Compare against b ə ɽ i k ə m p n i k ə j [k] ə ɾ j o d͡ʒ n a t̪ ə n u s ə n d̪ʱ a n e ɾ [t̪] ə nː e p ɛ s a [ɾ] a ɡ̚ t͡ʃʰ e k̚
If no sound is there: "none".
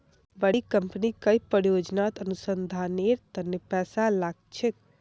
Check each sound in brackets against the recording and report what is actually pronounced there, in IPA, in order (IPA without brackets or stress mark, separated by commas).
p, t̪, l